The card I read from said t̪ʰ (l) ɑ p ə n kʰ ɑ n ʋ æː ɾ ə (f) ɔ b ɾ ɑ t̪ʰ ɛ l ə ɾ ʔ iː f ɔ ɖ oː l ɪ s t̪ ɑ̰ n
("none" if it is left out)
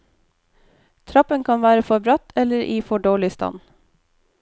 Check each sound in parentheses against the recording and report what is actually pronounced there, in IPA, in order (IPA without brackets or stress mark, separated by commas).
ɾ, f